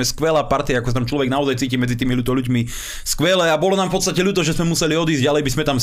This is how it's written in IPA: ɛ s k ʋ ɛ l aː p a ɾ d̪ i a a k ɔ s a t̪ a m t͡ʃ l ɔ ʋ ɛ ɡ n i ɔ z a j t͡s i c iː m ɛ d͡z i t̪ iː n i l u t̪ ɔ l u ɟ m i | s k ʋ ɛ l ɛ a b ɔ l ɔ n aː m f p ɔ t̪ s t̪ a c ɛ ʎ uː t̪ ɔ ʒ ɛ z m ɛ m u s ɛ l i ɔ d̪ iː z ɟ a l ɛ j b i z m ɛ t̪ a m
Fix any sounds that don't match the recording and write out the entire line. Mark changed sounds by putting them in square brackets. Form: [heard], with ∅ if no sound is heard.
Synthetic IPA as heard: ɛ s k ʋ ɛ l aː p a ɾ [t̪] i a a k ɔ s a t̪ a m t͡ʃ l ɔ ʋ ɛ ɡ n [a] ɔ z a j t͡s [iː] c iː m ɛ d͡z i t̪ iː [m] i l u t̪ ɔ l u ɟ m i | s k ʋ ɛ l ɛ a b ɔ l ɔ n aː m f p ɔ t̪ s t̪ a c ɛ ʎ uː t̪ ɔ ʒ ɛ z m ɛ m u s ɛ l i ɔ d̪ iː z ɟ a l ɛ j b i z m ɛ t̪ a m